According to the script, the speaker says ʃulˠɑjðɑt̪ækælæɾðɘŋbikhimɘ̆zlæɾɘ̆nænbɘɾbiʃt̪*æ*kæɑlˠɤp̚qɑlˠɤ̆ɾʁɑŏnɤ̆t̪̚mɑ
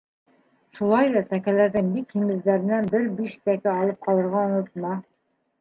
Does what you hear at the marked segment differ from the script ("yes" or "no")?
no